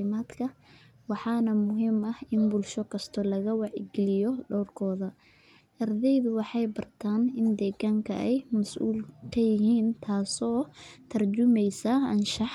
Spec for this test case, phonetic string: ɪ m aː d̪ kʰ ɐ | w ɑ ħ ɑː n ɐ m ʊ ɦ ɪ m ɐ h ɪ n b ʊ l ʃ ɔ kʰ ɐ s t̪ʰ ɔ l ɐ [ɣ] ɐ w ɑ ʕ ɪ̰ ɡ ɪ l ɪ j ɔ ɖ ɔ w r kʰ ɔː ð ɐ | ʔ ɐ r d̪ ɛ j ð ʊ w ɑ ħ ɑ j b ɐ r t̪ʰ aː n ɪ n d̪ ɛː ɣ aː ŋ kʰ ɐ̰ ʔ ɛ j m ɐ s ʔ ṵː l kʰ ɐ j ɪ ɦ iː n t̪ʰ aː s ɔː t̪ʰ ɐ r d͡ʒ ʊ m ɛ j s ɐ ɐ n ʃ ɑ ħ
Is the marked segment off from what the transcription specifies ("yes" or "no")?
no